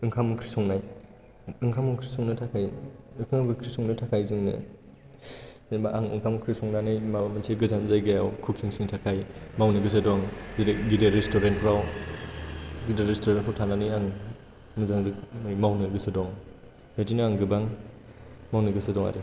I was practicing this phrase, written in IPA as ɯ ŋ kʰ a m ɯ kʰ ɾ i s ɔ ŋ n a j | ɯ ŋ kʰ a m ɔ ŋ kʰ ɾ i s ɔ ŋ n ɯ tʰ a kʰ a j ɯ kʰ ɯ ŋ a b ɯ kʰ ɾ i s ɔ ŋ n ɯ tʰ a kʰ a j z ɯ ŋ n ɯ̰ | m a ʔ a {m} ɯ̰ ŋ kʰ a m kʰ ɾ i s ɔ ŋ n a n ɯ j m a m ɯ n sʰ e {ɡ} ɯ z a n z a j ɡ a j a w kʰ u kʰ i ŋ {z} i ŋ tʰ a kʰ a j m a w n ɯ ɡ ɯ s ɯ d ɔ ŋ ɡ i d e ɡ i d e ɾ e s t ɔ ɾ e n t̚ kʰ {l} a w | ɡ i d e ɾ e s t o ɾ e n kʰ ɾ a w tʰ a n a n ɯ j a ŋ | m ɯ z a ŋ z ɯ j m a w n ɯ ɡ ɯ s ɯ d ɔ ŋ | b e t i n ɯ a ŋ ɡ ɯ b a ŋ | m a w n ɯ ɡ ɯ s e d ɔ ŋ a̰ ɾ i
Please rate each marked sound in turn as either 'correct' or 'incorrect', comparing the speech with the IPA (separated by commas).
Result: incorrect, correct, incorrect, incorrect